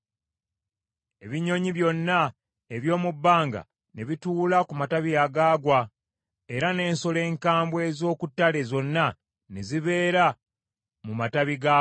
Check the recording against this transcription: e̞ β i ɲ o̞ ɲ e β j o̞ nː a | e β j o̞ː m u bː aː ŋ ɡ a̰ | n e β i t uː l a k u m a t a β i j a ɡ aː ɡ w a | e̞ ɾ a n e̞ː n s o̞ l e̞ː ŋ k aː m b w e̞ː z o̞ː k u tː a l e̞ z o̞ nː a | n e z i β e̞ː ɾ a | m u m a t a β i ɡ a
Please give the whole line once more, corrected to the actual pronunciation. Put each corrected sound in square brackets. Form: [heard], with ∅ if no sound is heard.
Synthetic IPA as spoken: e̞ β i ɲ o̞ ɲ [i] β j o̞ nː a | e β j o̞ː m u bː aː ŋ ɡ a̰ | n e β i t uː l a k u m a t a β i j a ɡ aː ɡ w a | e̞ ɾ a n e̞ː n s o̞ l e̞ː ŋ k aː m b w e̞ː z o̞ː k u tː a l e̞ z o̞ nː a | n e z i β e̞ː ɾ a | m u m a t a β i ɡ a